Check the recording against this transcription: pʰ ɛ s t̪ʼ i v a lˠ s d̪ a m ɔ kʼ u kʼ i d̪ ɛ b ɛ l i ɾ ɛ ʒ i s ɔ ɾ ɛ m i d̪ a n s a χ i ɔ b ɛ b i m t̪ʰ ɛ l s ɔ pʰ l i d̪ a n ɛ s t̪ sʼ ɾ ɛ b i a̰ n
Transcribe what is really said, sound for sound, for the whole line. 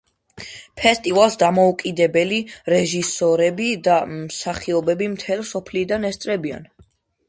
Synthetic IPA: pʰ ɛ s t̪ʼ i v a lˠ s d̪ a m ɔ u kʼ i d̪ ɛ b ɛ l i ɾ ɛ ʒ i s ɔ ɾ ɛ b i d̪ a m s a χ i ɔ b ɛ b i m t̪ʰ ɛ l s ɔ pʰ l i d̪ a n ɛ s t̪ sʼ ɾ ɛ b i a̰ n